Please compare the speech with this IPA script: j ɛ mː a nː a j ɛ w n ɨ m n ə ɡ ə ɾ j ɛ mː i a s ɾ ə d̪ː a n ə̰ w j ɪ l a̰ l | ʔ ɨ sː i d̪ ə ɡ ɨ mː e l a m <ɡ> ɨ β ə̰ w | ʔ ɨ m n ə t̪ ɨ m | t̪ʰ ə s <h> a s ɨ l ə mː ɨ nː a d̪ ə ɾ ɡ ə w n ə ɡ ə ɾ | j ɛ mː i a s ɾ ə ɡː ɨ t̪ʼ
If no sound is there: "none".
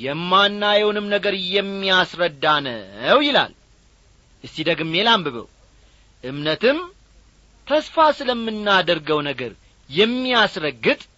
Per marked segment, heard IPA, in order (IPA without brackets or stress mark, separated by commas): b, f